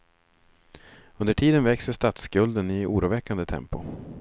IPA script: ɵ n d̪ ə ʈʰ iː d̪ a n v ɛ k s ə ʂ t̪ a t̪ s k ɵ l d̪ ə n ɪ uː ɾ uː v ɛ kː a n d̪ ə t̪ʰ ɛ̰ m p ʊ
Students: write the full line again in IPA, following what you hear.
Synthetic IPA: ɵ n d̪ ə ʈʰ iː d̪ ə n v ɛ k s ə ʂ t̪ a t̪ s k ɵ l d̪ ə n ɪ uː ɾ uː v ɛ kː a n d̪ ə t̪ʰ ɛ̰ m p ʊ

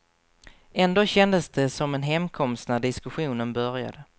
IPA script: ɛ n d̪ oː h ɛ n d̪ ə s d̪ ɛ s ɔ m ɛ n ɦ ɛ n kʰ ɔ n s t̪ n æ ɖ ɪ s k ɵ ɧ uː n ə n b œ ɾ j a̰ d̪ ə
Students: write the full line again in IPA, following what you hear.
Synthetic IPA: ɛ n d̪ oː ɕ ɛ n d̪ ə s d̪ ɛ s ɔ m ɛ n ɦ ɛ m kʰ ɔ m s t̪ n æ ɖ ɪ s k ɵ ɧ uː n ə n b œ ɾ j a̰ d̪ ə

